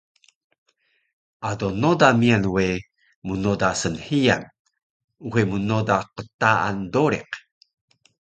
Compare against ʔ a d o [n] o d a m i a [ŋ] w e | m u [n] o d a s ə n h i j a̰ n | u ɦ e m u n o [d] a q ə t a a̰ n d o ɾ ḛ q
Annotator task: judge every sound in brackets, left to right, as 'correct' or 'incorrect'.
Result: correct, incorrect, correct, correct

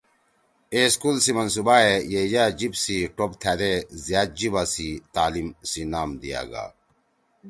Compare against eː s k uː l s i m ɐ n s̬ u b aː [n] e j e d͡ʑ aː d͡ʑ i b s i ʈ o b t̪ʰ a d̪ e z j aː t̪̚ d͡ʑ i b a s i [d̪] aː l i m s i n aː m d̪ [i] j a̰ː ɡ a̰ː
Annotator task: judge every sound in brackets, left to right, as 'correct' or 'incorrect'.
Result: incorrect, incorrect, correct

